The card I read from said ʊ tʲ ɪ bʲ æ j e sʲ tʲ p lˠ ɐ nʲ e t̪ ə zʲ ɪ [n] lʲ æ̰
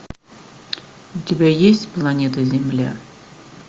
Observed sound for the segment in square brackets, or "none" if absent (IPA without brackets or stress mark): m